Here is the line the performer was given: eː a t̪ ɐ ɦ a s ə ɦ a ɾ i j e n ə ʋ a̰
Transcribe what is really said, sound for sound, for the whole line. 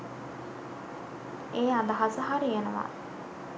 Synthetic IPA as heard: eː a d̪ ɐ ɦ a s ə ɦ a ɾ i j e n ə ʋ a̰